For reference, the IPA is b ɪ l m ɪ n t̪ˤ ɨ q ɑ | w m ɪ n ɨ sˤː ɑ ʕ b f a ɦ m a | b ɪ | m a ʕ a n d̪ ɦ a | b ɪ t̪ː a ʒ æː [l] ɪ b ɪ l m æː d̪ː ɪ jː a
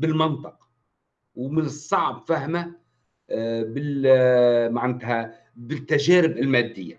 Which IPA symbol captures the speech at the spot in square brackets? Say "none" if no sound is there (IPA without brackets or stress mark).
ɾ